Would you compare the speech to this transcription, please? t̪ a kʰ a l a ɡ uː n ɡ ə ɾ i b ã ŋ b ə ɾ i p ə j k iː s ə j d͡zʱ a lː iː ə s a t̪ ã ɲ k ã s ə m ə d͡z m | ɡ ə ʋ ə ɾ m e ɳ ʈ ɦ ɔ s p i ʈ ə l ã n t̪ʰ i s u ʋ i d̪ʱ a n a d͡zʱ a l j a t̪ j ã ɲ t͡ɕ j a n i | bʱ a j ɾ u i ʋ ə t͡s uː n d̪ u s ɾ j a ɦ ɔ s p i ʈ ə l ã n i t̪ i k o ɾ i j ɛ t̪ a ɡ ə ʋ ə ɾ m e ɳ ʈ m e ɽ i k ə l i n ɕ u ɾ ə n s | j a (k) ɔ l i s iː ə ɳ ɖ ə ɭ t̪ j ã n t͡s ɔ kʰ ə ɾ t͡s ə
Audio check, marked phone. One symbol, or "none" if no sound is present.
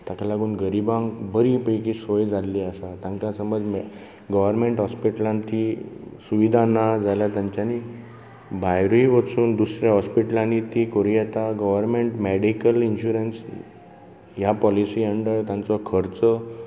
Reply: p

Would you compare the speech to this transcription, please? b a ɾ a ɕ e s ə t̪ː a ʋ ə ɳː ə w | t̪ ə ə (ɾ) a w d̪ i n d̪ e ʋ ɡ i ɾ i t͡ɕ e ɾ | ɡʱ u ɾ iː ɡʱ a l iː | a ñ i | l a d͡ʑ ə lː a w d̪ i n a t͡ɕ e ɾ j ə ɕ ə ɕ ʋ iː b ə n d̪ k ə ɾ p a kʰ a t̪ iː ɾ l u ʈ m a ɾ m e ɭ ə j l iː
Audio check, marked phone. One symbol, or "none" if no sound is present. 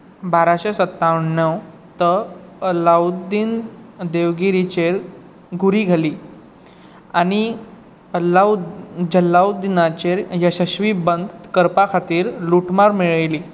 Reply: l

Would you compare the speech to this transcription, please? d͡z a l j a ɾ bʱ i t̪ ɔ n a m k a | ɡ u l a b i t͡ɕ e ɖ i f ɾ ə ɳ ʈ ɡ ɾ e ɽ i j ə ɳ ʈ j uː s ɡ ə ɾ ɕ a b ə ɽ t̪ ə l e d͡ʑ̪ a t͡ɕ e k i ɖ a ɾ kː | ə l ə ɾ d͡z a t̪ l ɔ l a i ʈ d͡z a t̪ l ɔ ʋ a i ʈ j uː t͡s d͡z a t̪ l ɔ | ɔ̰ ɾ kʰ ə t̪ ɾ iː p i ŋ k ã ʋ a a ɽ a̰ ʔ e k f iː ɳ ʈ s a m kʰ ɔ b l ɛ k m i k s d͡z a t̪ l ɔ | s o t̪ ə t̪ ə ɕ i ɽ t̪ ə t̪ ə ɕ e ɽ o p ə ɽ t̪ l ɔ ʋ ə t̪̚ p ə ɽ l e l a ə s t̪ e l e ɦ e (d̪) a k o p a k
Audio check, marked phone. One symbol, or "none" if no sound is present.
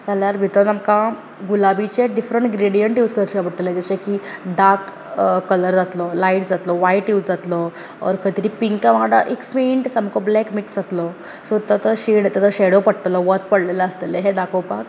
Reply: d̪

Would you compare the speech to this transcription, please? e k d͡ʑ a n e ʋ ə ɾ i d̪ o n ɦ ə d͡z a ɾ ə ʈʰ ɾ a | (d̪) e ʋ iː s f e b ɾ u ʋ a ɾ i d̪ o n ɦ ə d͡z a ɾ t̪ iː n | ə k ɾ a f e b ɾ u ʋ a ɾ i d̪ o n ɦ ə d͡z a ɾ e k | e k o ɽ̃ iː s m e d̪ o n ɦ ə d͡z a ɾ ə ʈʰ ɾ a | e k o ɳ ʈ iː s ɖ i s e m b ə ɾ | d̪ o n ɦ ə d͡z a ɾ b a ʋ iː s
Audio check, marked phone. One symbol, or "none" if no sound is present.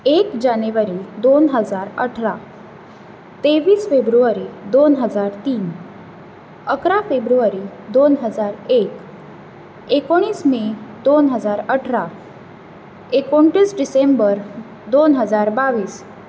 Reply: t̪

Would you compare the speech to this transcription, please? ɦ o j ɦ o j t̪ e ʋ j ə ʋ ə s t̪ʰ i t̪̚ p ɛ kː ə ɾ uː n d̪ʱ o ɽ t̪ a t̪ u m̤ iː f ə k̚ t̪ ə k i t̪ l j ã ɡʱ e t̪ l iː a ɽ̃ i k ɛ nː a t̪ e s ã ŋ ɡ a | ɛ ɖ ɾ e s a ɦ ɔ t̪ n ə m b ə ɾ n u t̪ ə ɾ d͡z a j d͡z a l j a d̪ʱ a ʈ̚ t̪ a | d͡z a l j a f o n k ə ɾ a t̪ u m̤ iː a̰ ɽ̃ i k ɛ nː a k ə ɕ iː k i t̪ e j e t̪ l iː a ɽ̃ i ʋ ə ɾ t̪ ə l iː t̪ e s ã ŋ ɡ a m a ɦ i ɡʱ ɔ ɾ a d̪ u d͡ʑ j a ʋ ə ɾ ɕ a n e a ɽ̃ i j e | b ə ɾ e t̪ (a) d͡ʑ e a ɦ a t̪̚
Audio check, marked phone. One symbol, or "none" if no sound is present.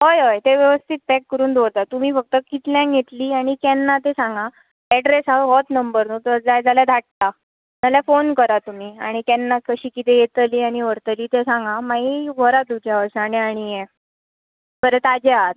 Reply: a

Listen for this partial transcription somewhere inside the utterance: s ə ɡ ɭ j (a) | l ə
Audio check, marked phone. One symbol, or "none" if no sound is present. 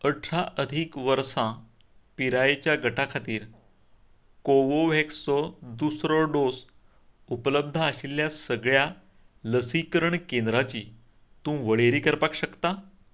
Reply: a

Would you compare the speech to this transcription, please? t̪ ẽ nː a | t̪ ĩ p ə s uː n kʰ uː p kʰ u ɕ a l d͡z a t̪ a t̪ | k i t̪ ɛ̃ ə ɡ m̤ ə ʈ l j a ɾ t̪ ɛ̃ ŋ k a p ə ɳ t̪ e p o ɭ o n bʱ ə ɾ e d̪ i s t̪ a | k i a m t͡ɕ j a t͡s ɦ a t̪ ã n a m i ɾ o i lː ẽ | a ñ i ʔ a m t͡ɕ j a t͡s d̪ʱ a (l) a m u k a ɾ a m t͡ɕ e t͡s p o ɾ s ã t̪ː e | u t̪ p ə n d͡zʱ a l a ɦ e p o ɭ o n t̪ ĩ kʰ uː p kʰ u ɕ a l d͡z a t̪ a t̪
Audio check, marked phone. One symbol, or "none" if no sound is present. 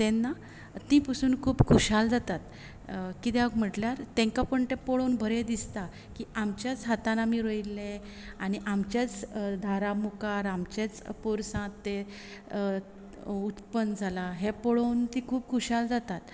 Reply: ɾ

